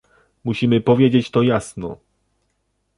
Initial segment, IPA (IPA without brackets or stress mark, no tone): m